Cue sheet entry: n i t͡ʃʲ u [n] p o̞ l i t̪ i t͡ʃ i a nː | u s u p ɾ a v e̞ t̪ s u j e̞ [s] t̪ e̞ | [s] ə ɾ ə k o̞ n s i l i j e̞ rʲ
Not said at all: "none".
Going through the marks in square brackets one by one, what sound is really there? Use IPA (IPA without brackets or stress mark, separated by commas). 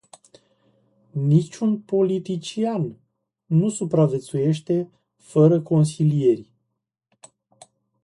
n, ʃ, f